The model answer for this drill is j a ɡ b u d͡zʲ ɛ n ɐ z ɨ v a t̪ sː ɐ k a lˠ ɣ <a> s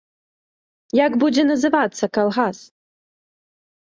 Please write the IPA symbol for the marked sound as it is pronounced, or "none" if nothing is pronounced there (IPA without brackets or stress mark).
a